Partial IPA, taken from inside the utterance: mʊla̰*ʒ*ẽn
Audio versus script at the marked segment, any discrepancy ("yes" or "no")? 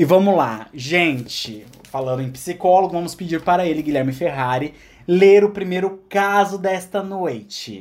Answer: no